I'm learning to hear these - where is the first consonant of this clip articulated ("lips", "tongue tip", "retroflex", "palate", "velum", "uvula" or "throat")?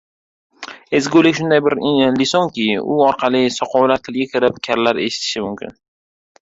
tongue tip